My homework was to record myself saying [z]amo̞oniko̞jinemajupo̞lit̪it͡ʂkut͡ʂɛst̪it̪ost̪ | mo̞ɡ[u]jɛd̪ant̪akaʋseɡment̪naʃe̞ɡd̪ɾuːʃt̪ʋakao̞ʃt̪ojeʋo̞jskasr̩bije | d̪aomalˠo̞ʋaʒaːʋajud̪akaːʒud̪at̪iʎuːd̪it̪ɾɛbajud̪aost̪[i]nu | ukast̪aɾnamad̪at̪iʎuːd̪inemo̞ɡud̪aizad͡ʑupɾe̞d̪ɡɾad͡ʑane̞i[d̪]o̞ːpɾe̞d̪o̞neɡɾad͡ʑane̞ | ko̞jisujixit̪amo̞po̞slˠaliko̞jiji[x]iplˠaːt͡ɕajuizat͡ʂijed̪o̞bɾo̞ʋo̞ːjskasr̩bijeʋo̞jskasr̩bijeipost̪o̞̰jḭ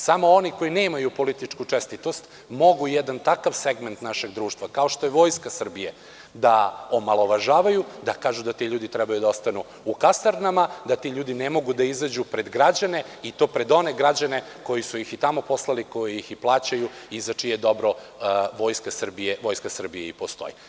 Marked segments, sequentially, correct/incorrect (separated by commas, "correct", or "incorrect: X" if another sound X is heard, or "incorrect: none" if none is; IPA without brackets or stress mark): incorrect: s, correct, incorrect: a, incorrect: t̪, correct